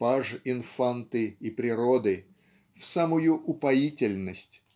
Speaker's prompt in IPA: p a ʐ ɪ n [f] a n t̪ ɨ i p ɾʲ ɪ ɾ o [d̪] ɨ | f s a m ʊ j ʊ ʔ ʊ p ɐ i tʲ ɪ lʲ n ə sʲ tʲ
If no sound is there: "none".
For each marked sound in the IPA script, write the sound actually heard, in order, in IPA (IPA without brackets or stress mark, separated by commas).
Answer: f, d̪